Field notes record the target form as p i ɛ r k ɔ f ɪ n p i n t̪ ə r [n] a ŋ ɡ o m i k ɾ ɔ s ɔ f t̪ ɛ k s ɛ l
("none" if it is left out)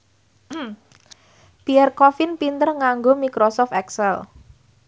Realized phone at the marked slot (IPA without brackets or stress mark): ŋ